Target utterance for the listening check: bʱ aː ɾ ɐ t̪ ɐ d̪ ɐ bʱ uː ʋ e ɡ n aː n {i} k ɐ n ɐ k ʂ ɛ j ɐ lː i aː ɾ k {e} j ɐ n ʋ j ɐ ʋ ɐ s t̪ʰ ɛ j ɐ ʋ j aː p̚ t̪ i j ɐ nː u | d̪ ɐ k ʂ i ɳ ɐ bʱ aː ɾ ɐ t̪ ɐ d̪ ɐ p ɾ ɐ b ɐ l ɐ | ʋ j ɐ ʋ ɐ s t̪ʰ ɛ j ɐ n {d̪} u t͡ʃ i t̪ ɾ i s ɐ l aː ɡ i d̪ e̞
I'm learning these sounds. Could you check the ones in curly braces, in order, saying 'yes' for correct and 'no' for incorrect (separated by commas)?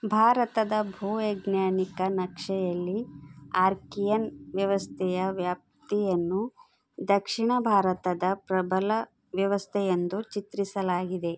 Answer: yes, no, yes